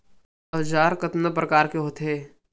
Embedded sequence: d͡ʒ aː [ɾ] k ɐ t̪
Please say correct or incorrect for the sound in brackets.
correct